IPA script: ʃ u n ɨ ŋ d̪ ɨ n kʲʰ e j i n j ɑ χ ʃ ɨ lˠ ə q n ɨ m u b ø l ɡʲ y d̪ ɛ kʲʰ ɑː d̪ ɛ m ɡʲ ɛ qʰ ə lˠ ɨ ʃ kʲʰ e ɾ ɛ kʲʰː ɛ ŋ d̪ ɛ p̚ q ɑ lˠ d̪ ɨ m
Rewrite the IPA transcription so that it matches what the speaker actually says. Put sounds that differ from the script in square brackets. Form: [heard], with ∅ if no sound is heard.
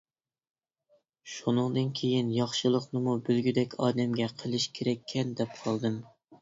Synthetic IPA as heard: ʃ u n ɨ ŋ d̪ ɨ n kʲʰ e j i n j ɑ χ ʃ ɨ lˠ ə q n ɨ m u b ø l ɡʲ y d̪ ɛ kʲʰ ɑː d̪ ɛ m ɡʲ ɛ qʰ ə lˠ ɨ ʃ kʲʰ e ɾ ɛ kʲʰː ɛ [n] d̪ ɛ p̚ [qʰ] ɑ lˠ d̪ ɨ m